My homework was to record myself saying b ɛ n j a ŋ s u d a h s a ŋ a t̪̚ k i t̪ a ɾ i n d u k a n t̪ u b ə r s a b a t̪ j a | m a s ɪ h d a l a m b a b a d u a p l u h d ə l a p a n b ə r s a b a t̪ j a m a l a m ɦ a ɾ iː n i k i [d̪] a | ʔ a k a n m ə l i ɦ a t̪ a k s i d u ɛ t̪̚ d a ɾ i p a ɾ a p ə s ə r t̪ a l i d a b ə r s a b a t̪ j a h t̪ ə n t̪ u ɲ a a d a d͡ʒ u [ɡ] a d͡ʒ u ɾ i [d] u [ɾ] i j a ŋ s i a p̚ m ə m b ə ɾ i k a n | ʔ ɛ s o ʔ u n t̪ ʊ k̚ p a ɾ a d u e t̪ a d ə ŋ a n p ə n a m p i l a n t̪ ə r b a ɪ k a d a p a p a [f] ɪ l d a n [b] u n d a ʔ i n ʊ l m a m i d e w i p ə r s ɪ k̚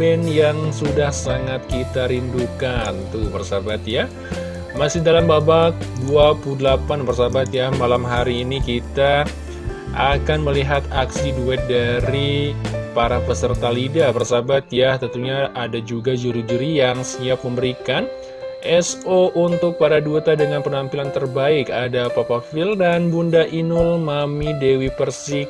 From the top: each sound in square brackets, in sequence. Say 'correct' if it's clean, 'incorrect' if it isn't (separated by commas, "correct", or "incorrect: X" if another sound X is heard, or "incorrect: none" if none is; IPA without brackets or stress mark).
incorrect: t̪, correct, incorrect: d͡ʒ, correct, correct, correct